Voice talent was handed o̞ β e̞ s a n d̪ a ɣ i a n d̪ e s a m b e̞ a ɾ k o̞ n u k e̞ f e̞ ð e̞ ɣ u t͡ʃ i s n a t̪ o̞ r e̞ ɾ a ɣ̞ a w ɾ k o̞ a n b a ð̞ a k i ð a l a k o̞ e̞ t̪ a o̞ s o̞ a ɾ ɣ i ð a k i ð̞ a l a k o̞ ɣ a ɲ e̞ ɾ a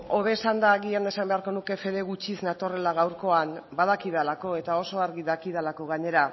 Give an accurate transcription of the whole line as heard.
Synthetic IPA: o̞ β e̞ s a n d̪ a ɣ i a n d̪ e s a m b e̞ a ɾ k o̞ n u k e̞ f e̞ ð e̞ ɣ u t͡ʃ i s n a t̪ o̞ r e̞ l a ɣ̞ a w ɾ k o̞ a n b a ð̞ a k i ð a l a k o̞ e̞ t̪ a o̞ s o̞ a ɾ ɣ i ð a k i ð̞ a l a k o̞ ɣ a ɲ e̞ ɾ a